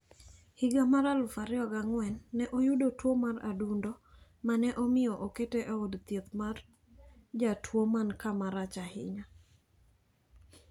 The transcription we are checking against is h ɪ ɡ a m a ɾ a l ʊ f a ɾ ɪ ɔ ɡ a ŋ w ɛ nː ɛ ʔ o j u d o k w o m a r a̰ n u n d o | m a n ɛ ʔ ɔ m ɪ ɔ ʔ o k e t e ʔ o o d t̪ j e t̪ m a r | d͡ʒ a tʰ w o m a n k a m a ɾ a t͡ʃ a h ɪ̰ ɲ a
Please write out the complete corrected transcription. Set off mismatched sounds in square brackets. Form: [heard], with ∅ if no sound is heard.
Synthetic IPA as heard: h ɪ ɡ a m a ɾ a l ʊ f a ɾ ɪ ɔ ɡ a ŋ w ɛ nː ɛ ʔ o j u d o [t] w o m a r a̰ [d] u n d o | m a n ɛ ʔ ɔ m ɪ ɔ ʔ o k e t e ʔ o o d t̪ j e t̪ m a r | d͡ʒ a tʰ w o m a n k a m a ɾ a t͡ʃ a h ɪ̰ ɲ a

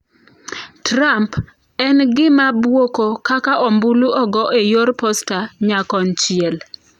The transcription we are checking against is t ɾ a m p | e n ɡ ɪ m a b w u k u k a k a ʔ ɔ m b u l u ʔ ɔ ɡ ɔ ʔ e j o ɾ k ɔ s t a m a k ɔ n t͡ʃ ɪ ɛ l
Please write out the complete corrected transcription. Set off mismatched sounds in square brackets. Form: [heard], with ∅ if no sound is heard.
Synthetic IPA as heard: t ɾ a m p | [ɛ] n ɡ ɪ m a b w [o] k [o] k a k a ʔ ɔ m b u l u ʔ ɔ ɡ ɔ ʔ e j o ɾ [p] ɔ s t a [ɲ] a k ɔ n t͡ʃ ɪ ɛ l

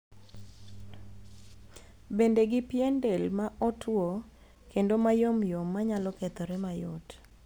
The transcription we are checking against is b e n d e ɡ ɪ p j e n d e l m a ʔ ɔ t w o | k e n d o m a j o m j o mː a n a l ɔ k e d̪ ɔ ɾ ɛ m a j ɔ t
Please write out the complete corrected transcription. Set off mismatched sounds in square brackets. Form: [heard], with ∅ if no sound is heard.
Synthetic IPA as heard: b e n d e ɡ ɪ p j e n d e l m a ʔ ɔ t w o | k e n d o m a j o m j o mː a [ɲ] a l ɔ k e [t̪] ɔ ɾ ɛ m a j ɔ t

